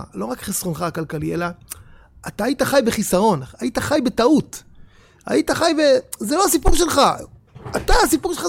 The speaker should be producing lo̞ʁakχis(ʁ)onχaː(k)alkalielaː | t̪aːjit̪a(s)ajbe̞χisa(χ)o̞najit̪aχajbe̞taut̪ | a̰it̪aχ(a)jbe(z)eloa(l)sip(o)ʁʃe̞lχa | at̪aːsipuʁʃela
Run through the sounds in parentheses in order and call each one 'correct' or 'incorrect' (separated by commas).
correct, correct, incorrect, incorrect, correct, correct, incorrect, incorrect